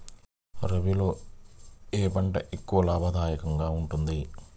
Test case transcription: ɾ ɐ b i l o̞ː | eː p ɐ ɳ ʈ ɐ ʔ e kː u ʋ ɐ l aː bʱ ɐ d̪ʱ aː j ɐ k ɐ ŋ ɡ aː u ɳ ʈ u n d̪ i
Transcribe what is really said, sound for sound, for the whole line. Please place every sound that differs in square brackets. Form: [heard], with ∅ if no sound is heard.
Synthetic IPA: ɾ ɐ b i l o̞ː | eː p ɐ ɳ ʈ ɐ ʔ e kː u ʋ ɐ l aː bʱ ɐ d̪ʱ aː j ɐ k ɐ ŋ ɡ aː u ɳ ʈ u n d̪ i